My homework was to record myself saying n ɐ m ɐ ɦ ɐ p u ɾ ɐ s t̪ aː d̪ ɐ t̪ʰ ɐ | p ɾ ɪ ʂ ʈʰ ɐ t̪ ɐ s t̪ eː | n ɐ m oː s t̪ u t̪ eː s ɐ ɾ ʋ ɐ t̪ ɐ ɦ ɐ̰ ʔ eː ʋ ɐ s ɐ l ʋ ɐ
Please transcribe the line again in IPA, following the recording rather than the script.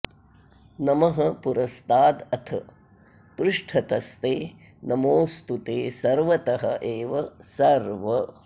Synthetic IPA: n ɐ m ɐ ɦ ɐ p u ɾ ɐ s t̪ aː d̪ ɐ t̪ʰ ɐ | p ɾ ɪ ʂ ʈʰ ɐ t̪ ɐ s t̪ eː | n ɐ m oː s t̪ u t̪ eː s ɐ ɾ ʋ ɐ t̪ ɐ ɦ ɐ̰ ʔ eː ʋ ɐ s ɐ ɾ ʋ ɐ